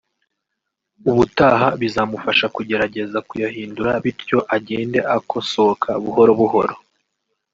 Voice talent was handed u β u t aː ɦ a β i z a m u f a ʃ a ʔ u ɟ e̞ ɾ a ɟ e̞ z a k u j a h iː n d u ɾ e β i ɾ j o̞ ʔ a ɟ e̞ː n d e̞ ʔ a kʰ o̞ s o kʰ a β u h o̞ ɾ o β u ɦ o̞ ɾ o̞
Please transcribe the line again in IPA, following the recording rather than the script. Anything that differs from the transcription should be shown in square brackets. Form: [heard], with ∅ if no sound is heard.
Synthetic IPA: u β u t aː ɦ a β i z a m u f a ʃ a [k] u ɟ e̞ ɾ a ɟ e̞ z a k u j a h iː n d u ɾ [a] β i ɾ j o̞ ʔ a ɟ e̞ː n d e̞ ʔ a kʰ o̞ s o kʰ a β u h o̞ ɾ o β u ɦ o̞ ɾ o̞